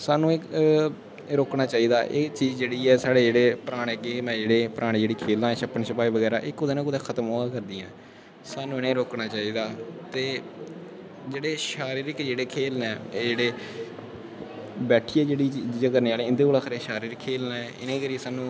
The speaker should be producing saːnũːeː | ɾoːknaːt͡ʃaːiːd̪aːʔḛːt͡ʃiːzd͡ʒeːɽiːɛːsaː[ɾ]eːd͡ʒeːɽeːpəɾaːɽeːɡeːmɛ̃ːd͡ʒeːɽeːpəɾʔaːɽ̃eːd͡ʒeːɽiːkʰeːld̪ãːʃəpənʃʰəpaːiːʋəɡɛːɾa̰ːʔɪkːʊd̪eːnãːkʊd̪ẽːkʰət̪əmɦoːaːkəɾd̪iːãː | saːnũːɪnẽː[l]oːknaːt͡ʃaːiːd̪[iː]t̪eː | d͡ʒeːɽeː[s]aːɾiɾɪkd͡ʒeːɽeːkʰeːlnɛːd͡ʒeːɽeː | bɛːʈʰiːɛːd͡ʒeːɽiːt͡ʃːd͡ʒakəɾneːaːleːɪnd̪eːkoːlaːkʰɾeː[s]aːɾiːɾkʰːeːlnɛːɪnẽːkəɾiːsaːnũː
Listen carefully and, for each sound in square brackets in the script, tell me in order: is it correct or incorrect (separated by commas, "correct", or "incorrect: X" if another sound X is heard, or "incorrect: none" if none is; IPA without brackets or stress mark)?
incorrect: ɽ, incorrect: ɾ, incorrect: aː, incorrect: ʃ, incorrect: ʃ